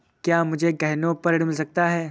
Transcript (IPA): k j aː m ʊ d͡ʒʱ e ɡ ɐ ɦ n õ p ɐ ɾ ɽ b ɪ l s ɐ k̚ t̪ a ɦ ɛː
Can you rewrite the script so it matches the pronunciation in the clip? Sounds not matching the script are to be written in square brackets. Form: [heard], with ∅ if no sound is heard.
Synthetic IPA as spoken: k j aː m ʊ d͡ʒʱ e ɡ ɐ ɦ n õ p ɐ ɾ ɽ [m] ɪ l s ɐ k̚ t̪ a ɦ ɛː